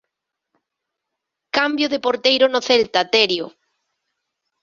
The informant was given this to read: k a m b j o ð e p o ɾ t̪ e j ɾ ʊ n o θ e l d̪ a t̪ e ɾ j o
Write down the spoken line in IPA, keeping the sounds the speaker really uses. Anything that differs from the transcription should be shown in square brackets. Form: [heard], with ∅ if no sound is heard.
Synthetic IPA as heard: k a m b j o ð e p o ɾ t̪ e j ɾ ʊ n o θ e l [t̪] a t̪ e ɾ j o